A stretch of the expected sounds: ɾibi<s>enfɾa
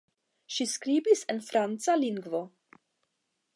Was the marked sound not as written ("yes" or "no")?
no